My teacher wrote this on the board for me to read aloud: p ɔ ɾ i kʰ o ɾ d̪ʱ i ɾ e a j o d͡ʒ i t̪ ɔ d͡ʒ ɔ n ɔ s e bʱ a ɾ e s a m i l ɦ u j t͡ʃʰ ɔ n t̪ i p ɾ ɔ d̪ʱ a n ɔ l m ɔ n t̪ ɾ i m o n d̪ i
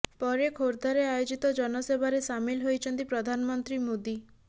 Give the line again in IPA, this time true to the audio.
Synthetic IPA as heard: p ɔ ɾ e kʰ o ɾ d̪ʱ a ɾ e a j o d͡ʒ i t̪ ɔ d͡ʒ ɔ n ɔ s e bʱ a ɾ e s a m i l ɦ o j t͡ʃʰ ɔ n t̪ i p ɾ ɔ d̪ʱ a n ɔ m ɔ n t̪ ɾ i m o d̪ i

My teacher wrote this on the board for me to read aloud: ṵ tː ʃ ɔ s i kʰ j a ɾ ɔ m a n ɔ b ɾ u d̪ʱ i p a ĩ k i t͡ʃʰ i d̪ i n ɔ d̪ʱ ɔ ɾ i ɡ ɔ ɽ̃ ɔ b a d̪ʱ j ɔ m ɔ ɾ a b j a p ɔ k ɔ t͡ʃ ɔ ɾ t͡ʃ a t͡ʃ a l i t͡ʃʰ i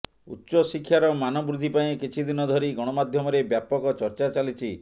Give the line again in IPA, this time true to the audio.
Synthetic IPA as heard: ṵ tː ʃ ɔ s i kʰ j a ɾ ɔ m a n ɔ b ɾ u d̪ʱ i p a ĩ k i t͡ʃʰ i d̪ i n ɔ d̪ʱ ɔ ɾ i ɡ ɔ ɽ̃ ɔ m a d̪ʱ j ɔ m ɔ ɾ e b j a p ɔ k ɔ t͡ʃ ɔ ɾ t͡ʃ a t͡ʃ a l i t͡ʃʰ i

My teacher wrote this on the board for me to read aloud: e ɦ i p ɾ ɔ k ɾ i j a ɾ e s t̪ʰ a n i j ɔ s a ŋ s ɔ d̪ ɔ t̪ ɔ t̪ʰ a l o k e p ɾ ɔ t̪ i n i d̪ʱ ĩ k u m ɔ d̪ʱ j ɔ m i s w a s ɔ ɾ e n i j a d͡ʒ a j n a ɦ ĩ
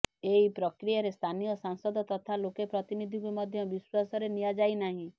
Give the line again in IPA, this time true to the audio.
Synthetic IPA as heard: e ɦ i p ɾ ɔ k ɾ i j a ɾ e s t̪ʰ a n i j ɔ s a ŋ s ɔ d̪ ɔ t̪ ɔ t̪ʰ a l o k e p ɾ ɔ t̪ i n i d̪ʱ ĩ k u m ɔ d̪ʱ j ɔ b i s w a s ɔ ɾ e n i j a d͡ʒ a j n a ɦ ĩ

